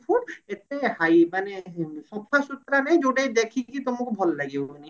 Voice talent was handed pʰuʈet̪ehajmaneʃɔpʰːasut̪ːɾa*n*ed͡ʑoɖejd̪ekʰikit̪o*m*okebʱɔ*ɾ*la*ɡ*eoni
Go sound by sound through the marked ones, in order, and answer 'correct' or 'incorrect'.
correct, correct, incorrect, correct

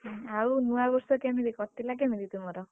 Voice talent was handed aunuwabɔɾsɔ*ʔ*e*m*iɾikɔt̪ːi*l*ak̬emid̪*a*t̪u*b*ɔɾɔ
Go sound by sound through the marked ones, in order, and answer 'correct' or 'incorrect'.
incorrect, correct, correct, incorrect, incorrect

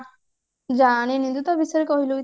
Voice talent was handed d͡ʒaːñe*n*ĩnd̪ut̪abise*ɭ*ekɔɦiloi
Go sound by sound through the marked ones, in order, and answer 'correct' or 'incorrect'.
correct, incorrect

